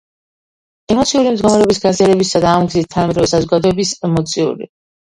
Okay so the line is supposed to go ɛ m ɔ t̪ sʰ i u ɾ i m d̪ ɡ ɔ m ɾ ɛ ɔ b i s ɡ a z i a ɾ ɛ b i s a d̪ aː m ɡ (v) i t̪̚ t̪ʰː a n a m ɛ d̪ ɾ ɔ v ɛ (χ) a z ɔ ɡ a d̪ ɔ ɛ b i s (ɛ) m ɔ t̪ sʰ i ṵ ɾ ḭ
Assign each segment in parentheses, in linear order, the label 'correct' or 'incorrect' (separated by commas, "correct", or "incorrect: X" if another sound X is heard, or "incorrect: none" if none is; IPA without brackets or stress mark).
incorrect: z, incorrect: s, correct